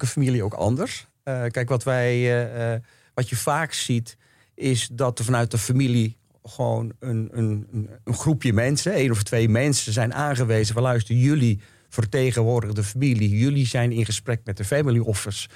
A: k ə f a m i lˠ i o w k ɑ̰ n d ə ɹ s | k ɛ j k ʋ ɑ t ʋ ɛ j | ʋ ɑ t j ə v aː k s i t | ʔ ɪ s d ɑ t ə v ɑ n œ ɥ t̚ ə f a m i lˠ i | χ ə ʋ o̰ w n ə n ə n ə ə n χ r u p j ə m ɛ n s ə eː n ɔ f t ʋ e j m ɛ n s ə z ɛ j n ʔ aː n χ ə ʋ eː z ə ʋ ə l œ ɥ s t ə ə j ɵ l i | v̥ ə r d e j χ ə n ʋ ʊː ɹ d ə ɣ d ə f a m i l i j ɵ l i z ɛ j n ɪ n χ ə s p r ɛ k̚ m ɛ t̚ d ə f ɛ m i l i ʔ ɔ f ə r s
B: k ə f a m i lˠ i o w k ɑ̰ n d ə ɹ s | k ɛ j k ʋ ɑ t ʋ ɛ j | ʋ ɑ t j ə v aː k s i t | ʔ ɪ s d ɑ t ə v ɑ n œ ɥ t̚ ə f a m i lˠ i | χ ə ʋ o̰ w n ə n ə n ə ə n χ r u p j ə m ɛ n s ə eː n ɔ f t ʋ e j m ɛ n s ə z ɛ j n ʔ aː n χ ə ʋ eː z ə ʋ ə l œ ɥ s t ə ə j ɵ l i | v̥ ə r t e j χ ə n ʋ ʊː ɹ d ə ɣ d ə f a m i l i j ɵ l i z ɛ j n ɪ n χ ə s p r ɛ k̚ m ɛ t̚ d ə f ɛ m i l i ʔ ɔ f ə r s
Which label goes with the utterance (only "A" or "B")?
B